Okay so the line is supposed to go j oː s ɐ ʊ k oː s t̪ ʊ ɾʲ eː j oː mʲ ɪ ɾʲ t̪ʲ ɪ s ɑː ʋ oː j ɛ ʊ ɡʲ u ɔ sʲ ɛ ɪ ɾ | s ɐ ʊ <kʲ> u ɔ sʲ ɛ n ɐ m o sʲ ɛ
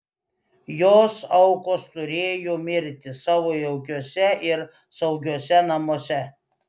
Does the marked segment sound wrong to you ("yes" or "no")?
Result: yes